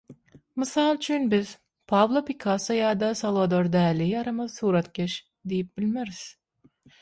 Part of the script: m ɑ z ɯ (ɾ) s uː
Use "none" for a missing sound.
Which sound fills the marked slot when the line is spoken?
none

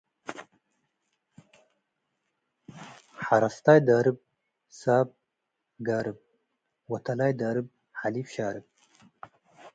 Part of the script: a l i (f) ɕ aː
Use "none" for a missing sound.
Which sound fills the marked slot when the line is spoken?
f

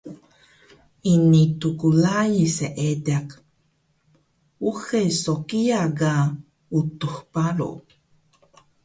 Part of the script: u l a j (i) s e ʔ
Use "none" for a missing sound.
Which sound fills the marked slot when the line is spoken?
i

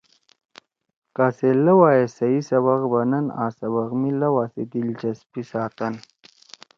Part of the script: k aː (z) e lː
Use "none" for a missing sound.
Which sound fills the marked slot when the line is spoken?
s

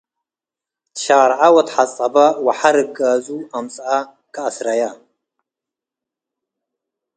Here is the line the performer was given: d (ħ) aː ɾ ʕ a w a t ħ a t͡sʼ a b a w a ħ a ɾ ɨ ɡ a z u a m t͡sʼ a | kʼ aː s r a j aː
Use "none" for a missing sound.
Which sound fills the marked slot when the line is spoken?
ʃ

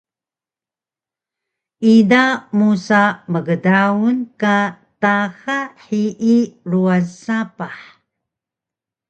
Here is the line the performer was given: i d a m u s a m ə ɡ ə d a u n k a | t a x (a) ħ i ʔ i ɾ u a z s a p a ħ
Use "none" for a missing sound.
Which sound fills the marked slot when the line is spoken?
a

